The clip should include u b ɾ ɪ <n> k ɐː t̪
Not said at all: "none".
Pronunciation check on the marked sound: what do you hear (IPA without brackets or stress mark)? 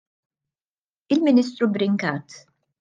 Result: ŋ